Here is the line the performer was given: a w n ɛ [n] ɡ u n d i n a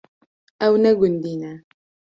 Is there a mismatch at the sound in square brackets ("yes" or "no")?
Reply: yes